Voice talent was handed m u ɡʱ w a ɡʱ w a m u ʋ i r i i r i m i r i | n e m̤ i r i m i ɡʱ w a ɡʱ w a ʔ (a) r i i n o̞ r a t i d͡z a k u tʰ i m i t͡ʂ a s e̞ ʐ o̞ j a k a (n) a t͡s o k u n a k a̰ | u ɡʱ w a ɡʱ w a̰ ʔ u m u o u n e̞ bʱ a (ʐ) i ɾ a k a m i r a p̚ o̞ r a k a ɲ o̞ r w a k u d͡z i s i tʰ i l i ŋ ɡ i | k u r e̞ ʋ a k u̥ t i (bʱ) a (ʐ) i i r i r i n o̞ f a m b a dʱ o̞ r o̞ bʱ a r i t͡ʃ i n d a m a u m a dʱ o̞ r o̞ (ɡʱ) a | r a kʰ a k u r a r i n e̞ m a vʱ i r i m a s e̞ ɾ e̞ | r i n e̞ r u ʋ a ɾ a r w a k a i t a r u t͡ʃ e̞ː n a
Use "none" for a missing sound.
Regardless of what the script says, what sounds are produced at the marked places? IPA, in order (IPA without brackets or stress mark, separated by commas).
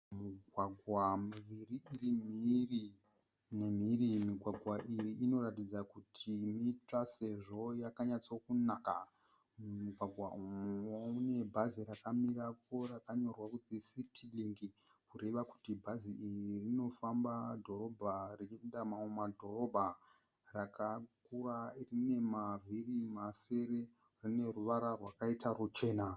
i, ɲ, z, bʱ, z, bʱ